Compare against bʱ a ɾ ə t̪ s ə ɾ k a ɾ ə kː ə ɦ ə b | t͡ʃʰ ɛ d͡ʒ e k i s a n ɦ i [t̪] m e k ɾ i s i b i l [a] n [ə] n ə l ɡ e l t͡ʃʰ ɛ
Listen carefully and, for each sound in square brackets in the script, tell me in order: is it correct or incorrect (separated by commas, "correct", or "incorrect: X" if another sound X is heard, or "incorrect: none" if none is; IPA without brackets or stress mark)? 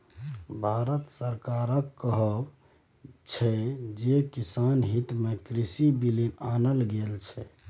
correct, incorrect: i, incorrect: a